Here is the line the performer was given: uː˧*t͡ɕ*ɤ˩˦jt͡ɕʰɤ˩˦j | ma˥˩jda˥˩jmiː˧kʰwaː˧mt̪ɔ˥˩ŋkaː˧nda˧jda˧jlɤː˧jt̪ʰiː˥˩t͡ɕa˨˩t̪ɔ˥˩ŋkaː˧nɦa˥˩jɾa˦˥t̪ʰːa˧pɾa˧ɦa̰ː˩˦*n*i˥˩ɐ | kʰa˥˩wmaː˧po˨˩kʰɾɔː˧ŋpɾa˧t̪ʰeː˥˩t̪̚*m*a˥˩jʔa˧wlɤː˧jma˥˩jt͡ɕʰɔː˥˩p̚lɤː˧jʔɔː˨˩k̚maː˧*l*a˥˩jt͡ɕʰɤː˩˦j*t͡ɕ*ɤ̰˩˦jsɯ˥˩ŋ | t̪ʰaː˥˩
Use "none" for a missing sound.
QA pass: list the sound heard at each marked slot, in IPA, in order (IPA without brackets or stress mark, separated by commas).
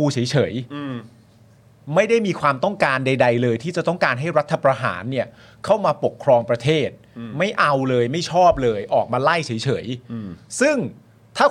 t͡ɕʰ, nː, m, l, t͡ɕʰ